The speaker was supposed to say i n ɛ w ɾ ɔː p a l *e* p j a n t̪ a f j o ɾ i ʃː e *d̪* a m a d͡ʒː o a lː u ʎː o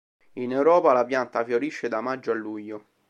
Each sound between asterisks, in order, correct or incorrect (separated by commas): incorrect, correct